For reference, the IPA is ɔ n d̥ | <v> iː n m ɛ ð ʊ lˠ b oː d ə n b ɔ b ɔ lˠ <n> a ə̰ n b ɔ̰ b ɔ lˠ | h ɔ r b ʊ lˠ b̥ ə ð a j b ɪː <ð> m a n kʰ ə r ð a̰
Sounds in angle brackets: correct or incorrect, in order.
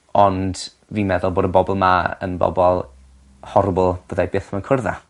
correct, incorrect, incorrect

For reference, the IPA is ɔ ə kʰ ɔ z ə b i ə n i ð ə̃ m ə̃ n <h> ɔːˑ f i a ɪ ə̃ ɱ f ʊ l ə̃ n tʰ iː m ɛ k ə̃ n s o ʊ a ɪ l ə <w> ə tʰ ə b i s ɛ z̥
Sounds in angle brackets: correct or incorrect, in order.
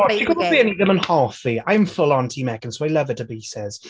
correct, incorrect

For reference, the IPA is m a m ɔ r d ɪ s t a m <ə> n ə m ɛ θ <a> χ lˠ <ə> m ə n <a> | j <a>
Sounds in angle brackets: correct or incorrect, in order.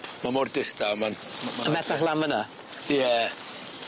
incorrect, correct, incorrect, correct, incorrect

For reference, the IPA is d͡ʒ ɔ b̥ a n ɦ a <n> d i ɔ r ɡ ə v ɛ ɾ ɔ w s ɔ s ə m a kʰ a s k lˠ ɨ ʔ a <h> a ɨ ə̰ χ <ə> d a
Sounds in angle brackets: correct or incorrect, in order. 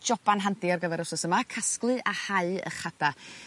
correct, correct, incorrect

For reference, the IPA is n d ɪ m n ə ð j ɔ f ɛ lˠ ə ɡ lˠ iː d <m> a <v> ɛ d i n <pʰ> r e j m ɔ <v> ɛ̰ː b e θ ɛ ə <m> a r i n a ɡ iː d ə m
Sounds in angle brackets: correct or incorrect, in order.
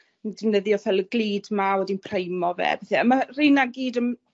correct, incorrect, correct, correct, correct

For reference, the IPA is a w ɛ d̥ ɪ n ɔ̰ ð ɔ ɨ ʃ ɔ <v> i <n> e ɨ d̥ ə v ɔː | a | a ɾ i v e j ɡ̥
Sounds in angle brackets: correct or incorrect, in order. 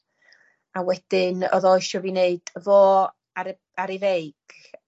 correct, correct

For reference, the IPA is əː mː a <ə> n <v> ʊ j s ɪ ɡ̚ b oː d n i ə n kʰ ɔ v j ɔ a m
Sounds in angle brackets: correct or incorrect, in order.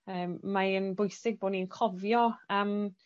correct, incorrect

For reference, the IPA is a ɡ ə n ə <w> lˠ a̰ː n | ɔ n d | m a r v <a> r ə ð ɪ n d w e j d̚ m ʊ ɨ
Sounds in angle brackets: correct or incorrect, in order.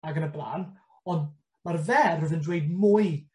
incorrect, incorrect

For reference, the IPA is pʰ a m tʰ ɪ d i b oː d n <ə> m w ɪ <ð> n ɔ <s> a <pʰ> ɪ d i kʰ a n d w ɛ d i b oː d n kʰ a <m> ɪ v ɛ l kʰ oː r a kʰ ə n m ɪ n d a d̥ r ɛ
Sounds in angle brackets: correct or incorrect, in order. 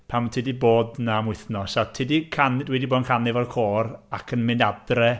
incorrect, incorrect, correct, incorrect, incorrect

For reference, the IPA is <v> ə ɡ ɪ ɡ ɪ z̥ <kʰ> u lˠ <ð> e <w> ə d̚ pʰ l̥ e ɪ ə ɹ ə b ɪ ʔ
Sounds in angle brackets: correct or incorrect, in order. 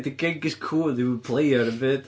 incorrect, correct, correct, correct

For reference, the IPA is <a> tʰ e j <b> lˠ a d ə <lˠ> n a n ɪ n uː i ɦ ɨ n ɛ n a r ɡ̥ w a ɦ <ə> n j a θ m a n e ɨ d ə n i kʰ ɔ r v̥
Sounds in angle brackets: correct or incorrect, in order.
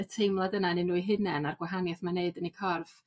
incorrect, incorrect, incorrect, incorrect

